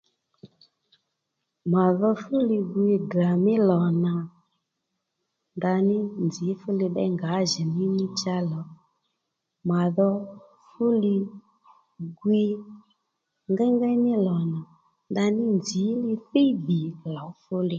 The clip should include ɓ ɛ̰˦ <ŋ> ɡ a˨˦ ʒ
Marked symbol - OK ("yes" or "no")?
yes